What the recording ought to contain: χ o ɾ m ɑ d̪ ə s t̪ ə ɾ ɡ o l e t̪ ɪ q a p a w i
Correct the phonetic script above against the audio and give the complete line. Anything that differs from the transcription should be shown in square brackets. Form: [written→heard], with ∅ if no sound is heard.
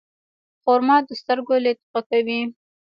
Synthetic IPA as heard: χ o ɾ m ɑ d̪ ə s t̪ ə ɾ ɡ o l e t̪ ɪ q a [p→k] a w i